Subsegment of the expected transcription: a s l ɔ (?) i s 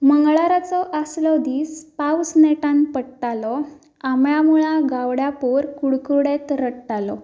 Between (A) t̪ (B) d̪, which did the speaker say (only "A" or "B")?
B